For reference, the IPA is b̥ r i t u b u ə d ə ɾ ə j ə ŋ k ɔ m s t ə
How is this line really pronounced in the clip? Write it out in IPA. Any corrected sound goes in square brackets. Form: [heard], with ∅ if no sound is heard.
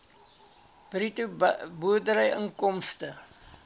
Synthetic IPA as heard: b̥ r i t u b u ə d ə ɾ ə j ə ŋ k ɔ m s t ə